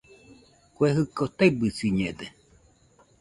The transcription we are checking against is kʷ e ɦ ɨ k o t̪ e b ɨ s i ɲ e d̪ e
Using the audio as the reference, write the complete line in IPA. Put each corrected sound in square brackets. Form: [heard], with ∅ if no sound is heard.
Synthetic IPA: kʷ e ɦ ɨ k o t̪ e b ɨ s i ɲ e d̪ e